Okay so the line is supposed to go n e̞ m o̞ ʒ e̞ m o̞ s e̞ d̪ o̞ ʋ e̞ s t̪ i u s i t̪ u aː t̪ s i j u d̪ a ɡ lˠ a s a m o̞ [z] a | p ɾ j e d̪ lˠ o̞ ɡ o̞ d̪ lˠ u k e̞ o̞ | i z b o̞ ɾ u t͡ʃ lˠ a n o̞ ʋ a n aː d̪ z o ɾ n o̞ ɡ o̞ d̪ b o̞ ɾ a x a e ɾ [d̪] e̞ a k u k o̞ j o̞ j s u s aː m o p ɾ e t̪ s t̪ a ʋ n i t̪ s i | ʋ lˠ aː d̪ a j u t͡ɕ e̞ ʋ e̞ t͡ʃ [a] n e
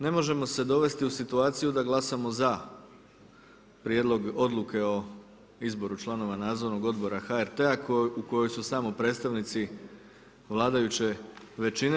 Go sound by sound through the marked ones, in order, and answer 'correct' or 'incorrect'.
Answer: correct, incorrect: t̪, incorrect: i

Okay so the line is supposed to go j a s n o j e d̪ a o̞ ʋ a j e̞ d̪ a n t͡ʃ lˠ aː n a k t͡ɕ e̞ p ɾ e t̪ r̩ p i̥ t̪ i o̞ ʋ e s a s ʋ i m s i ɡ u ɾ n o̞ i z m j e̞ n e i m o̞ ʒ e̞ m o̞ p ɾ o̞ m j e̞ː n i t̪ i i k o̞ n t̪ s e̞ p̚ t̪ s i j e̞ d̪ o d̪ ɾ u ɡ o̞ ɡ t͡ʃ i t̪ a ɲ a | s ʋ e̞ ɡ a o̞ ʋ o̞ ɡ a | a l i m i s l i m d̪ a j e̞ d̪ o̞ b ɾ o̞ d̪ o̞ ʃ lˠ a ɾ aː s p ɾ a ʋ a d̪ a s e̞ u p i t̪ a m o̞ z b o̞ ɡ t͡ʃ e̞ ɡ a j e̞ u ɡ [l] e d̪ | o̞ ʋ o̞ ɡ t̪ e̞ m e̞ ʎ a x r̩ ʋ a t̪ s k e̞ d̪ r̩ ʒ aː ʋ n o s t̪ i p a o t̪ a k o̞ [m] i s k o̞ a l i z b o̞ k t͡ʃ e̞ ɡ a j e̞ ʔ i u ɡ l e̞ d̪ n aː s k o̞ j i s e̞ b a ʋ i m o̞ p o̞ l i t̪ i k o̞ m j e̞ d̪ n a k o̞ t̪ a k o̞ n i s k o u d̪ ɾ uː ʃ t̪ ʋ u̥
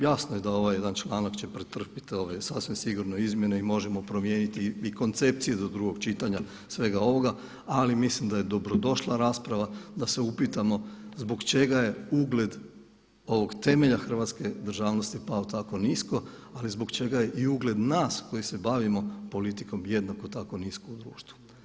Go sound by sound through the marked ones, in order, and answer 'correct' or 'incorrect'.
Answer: correct, incorrect: n

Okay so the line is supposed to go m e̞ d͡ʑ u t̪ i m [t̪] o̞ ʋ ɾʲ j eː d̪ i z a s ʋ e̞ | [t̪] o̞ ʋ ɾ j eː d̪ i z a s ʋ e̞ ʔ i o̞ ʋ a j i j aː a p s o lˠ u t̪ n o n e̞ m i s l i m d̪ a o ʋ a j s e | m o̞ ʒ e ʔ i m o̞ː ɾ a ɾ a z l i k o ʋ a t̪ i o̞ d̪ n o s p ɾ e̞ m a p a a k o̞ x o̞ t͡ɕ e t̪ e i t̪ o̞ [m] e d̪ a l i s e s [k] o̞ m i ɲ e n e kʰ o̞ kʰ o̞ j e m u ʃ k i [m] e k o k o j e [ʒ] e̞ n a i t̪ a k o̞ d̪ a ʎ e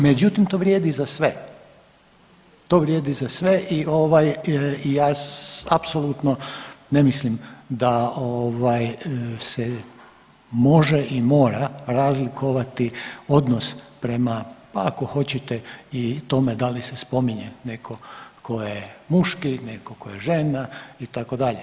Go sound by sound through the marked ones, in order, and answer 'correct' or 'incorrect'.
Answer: correct, correct, correct, incorrect: p, incorrect: n, correct

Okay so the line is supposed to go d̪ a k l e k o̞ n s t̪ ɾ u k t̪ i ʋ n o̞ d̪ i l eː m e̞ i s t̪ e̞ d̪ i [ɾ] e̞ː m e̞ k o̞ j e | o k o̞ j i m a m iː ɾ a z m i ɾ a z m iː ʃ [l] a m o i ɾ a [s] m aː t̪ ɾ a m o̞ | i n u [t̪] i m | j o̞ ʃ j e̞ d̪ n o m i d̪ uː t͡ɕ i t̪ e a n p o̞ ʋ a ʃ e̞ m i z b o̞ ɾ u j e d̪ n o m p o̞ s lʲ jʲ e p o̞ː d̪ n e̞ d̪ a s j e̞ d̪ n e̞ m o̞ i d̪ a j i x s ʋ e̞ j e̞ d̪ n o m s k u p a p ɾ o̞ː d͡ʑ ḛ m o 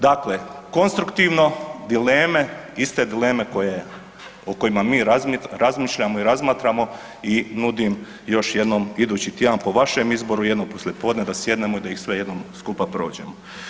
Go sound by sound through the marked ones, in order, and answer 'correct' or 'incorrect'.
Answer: incorrect: l, incorrect: ʎ, incorrect: z, incorrect: d̪

